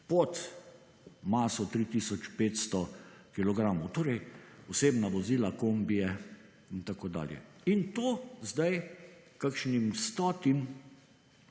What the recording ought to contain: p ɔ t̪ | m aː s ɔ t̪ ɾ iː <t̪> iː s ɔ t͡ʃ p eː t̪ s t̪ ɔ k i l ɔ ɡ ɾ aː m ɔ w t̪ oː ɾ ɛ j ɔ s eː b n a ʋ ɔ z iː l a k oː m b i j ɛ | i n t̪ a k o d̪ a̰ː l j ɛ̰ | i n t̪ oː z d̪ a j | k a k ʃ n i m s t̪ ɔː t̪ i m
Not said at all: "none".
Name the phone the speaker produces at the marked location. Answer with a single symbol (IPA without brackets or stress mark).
t̪